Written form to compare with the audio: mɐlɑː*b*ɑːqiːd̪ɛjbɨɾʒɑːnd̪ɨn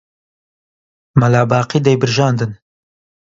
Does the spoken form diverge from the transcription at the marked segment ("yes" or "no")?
no